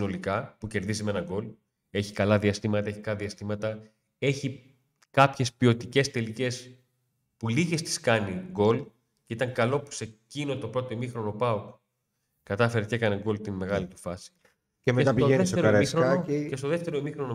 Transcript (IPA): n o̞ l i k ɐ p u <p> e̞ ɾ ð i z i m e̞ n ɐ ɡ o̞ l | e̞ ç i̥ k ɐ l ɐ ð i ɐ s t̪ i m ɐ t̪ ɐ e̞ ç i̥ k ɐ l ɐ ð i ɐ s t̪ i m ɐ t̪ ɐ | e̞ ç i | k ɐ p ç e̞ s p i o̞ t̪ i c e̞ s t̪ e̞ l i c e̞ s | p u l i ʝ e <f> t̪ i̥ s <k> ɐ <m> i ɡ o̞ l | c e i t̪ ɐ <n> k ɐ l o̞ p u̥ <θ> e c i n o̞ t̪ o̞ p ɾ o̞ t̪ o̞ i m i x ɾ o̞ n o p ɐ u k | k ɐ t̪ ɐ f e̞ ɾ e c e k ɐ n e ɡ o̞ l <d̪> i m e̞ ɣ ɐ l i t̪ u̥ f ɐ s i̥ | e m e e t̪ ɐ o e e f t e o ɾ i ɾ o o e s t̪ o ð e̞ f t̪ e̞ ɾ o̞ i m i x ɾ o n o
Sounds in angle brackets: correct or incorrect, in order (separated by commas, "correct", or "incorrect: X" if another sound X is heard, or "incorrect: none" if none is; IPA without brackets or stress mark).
incorrect: c, incorrect: s, correct, incorrect: n, incorrect: ŋ, incorrect: s, incorrect: t̪